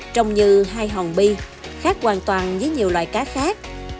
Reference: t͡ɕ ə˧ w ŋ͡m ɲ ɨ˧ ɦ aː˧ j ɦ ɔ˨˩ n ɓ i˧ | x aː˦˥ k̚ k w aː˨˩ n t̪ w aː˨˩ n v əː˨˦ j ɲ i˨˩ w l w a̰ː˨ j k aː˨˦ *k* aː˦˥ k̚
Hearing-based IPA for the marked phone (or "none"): x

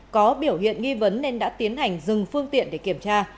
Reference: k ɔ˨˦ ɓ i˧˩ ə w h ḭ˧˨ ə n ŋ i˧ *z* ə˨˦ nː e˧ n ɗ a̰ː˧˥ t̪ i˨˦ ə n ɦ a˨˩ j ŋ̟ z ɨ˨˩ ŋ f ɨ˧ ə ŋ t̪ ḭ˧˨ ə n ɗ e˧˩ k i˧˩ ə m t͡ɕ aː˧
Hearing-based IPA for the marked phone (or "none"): v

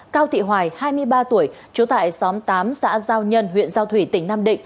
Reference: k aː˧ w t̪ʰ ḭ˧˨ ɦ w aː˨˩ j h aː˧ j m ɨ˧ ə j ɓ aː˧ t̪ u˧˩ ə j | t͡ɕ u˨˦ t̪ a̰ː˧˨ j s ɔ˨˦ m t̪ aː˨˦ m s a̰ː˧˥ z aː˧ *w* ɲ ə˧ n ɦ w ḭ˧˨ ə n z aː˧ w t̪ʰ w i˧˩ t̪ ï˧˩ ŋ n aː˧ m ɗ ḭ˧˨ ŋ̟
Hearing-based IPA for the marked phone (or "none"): w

